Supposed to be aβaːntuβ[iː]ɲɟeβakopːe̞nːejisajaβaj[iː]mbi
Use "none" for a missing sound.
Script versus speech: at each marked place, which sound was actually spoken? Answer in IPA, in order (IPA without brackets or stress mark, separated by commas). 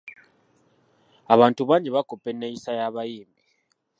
aː, iː